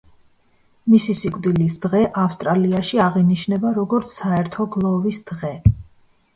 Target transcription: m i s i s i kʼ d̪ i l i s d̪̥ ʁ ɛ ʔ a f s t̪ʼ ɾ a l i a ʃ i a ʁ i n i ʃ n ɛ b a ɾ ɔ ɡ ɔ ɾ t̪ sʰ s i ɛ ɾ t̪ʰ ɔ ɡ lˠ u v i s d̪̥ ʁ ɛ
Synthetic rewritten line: m i s i s i kʼ d̪ i l i s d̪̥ ʁ ɛ ʔ a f s t̪ʼ ɾ a l i a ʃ i a ʁ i n i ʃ n ɛ b a ɾ ɔ ɡ ɔ ɾ t̪ sʰ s a ɛ ɾ t̪ʰ ɔ ɡ lˠ ɔ v i s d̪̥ ʁ ɛ